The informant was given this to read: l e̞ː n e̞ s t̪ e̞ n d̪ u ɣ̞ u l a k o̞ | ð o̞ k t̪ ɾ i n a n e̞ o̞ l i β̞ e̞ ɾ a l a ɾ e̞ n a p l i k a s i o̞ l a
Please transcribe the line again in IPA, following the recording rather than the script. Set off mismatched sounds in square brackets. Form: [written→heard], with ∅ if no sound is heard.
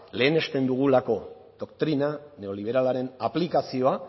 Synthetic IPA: l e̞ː n e̞ s t̪ e̞ n d̪ u ɣ̞ u l a k o̞ | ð o̞ k t̪ ɾ i n a n e̞ o̞ l i β̞ e̞ ɾ a l a ɾ e̞ n a p l i k a s i o̞ [l→∅] a